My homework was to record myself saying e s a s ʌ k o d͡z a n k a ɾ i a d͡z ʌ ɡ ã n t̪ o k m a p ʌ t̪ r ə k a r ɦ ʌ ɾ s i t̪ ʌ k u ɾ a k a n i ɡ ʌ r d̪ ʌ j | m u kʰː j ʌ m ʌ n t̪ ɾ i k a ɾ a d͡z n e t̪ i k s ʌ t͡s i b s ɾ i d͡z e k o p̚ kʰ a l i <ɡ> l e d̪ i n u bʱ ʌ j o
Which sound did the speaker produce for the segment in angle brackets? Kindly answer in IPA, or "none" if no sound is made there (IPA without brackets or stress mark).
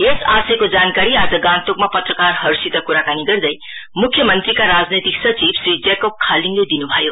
ŋ